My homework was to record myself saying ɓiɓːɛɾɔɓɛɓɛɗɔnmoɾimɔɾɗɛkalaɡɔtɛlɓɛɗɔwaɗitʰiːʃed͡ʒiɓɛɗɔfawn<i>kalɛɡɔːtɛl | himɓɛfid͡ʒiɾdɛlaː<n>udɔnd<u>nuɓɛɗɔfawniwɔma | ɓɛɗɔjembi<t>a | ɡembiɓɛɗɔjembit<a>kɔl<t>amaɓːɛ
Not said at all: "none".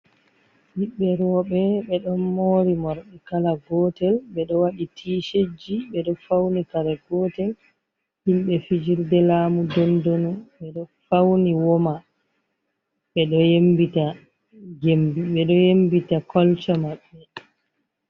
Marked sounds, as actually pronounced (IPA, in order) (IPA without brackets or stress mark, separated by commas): i, m, o, t, a, t͡ʃ